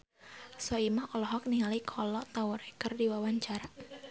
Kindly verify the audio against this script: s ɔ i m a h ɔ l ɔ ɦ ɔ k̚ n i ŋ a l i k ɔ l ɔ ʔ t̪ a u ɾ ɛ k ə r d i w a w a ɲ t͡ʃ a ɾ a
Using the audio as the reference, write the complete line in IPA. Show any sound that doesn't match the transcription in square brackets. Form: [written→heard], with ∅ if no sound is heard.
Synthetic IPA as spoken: s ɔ i m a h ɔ l ɔ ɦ ɔ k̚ n i ŋ a l i [k→kʰ] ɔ l ɔ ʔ t̪ a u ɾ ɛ k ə r d i w a w a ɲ t͡ʃ a ɾ a